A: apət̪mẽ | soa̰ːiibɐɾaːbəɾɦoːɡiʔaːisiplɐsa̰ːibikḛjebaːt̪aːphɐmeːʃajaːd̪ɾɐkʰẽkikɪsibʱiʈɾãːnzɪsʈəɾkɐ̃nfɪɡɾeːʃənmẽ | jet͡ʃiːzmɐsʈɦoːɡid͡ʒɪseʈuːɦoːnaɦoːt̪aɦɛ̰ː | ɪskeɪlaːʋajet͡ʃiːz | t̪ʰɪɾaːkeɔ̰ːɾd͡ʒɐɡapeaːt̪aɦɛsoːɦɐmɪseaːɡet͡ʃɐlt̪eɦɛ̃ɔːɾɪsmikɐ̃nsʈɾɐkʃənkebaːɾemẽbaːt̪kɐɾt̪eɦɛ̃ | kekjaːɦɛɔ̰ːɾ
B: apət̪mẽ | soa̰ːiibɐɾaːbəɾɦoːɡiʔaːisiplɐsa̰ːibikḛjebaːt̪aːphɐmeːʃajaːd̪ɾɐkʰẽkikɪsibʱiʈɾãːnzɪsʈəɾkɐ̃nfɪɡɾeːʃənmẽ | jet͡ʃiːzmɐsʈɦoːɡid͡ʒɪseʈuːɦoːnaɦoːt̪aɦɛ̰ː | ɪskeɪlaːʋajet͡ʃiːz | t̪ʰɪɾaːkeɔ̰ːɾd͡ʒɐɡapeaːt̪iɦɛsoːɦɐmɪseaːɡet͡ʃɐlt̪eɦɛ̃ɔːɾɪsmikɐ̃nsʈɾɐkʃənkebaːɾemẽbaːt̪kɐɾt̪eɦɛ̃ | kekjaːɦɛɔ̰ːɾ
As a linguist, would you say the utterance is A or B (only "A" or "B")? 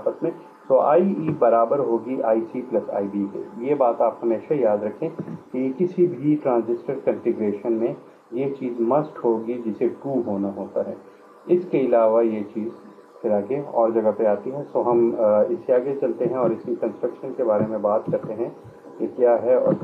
B